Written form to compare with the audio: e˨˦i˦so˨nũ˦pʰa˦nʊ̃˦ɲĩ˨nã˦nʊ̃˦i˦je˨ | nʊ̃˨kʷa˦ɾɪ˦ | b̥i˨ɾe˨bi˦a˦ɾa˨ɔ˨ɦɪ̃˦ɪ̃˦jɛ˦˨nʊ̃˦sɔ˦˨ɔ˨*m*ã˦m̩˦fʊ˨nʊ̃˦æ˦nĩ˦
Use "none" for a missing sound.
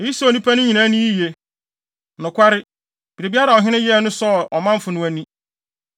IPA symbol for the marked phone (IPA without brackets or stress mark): m